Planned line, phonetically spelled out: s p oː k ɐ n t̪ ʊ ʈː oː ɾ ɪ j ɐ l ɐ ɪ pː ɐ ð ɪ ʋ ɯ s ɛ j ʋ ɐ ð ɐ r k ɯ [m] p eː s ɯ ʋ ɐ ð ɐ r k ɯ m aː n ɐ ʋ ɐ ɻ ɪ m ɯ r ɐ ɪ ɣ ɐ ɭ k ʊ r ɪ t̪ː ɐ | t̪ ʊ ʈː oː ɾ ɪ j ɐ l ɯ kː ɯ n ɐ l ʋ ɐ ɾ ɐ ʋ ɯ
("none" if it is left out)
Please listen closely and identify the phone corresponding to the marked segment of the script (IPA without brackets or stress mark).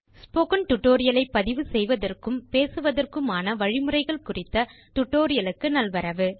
m